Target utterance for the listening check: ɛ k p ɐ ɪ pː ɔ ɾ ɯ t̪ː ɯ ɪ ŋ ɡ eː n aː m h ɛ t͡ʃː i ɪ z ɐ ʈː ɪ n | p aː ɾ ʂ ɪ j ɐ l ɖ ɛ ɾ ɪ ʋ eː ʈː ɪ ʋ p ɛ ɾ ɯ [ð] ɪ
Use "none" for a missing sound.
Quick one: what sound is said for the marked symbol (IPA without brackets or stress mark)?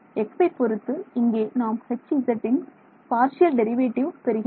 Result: ɣ